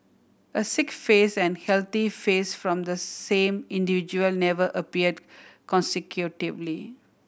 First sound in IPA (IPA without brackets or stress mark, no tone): ə